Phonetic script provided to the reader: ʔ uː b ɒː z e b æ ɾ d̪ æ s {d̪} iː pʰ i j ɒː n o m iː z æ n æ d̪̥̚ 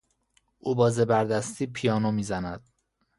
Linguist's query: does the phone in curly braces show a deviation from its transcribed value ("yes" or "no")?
yes